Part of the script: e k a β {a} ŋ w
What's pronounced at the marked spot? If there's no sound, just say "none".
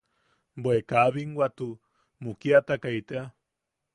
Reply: i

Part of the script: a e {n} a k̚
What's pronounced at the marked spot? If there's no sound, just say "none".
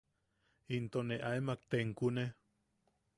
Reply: m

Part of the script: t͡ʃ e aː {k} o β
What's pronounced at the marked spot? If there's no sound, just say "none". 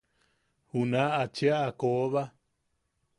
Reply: k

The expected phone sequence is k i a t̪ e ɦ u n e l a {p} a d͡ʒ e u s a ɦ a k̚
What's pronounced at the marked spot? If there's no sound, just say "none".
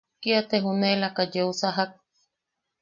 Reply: k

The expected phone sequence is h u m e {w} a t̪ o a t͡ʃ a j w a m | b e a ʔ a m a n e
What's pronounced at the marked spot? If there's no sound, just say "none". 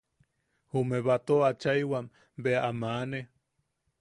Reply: β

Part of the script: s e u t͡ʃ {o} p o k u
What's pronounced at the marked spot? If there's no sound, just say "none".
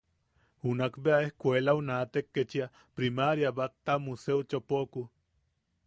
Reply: o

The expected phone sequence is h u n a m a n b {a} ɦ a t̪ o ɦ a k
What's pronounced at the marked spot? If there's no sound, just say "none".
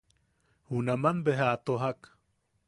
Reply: e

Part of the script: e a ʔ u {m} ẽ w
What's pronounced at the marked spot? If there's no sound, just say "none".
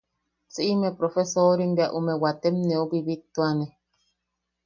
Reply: m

